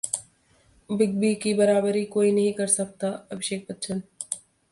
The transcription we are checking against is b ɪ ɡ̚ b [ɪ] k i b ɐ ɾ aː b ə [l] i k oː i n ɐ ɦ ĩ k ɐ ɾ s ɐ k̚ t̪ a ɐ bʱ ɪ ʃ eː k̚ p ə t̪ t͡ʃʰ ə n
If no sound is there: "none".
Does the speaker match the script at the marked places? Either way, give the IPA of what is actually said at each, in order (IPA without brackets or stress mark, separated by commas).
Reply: i, ɾ